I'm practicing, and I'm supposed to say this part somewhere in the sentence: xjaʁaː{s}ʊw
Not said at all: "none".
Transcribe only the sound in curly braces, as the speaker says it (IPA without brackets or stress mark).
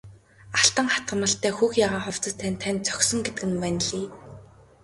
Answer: χ